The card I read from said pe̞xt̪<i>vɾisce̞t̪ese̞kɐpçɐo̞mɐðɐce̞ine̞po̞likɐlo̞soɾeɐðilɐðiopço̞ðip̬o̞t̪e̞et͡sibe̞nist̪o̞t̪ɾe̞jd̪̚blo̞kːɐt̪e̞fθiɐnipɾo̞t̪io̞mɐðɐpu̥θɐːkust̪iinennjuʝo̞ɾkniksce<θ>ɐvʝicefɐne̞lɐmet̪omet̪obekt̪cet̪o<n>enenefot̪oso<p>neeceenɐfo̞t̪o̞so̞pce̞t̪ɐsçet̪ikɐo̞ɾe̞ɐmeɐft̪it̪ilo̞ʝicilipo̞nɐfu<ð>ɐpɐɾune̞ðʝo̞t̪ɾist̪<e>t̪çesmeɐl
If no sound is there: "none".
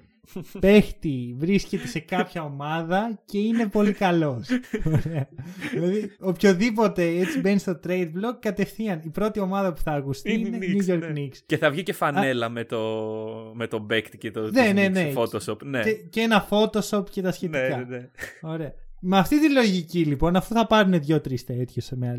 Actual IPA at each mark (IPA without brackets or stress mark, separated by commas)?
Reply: i, θ, n, p, θ, e